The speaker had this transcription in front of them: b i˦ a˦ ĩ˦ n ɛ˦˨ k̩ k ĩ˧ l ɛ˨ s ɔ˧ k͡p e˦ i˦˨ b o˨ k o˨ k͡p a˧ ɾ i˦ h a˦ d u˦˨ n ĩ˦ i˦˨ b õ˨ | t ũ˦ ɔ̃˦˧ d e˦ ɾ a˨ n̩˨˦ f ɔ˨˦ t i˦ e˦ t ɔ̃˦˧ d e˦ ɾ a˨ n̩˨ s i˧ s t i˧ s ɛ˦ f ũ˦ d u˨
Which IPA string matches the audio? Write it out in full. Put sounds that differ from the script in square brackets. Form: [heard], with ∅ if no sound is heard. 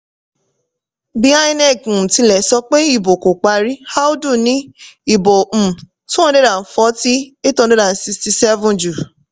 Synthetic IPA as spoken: b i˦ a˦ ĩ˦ n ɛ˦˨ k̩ [t] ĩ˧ l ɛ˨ s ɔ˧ k͡p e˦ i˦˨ b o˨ k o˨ k͡p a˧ ɾ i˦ h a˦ d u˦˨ n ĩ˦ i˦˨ b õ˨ | t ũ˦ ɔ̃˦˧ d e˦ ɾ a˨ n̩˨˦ f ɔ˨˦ t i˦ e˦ t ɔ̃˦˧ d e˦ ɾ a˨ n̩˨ s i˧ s t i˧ s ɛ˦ [v] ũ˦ [d͡ʒ] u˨